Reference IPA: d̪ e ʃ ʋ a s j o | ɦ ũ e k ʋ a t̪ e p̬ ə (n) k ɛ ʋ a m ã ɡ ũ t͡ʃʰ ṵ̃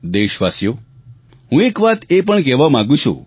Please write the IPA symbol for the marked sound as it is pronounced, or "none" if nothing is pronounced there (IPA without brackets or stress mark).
ɳ